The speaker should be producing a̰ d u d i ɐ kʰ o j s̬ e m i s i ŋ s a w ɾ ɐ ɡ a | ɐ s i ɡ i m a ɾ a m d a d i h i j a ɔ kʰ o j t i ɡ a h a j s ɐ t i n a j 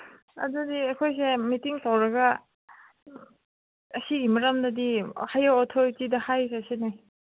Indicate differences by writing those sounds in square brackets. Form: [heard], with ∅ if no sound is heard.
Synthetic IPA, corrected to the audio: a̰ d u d i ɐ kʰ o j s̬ e m i [t] i ŋ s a w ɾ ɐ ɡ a | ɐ s i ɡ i m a ɾ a m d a d i h [a] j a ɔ [tʰ] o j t i [d] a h a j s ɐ [s] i n a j

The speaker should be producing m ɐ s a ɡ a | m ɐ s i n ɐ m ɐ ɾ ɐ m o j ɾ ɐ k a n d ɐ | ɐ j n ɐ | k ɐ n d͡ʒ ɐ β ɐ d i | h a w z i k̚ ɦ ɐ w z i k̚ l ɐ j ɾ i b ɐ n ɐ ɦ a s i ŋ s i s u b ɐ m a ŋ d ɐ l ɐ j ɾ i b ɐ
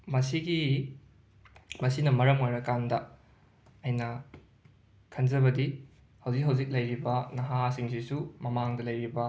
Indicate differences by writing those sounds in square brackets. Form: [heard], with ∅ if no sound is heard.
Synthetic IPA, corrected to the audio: m ɐ s [i] ɡ [i] | m ɐ s i n ɐ m ɐ ɾ ɐ m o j ɾ ɐ k a n d ɐ | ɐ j n ɐ | [kʰ] ɐ n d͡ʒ ɐ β ɐ d i | h [ɐ] w z i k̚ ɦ ɐ w z i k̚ l ɐ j ɾ i b ɐ n ɐ ɦ a s i ŋ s i s u [m] ɐ m a ŋ d ɐ l ɐ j ɾ i b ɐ

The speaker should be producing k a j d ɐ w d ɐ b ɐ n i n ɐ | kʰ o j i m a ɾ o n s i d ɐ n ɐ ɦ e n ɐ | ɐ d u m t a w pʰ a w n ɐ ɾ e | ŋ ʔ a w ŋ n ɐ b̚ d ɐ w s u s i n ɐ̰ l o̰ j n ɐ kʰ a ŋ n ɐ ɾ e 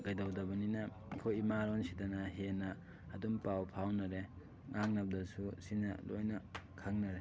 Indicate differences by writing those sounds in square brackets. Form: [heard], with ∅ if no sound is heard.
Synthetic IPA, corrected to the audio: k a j d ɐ w d ɐ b ɐ n i n ɐ | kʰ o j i m a ɾ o n s i d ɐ n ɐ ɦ e n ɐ | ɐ d u m [p] a w pʰ a w n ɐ ɾ e | ŋ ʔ a [∅] ŋ n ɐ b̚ d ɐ [∅] s u s i n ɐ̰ l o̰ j n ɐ kʰ a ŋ n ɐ ɾ e

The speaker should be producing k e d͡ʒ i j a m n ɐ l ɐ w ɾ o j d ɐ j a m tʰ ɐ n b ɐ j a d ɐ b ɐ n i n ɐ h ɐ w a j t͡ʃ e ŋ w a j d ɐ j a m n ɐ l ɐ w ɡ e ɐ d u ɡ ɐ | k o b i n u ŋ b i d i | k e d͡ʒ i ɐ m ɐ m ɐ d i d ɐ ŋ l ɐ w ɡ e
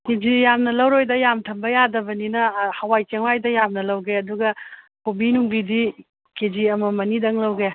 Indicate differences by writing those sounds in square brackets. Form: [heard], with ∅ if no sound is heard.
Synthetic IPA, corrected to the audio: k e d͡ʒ i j a m n ɐ l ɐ w ɾ o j d ɐ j a m tʰ ɐ [m] b ɐ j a d ɐ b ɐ n i n ɐ h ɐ w a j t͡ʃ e ŋ w a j d ɐ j a m n ɐ l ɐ w ɡ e ɐ d u ɡ ɐ | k o b i n u ŋ b i d i | k e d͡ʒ i ɐ m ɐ m ɐ [n] i d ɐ ŋ l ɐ w ɡ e

